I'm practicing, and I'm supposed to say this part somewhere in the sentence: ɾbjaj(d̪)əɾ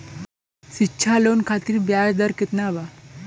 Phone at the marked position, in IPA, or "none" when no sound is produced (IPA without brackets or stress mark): d̪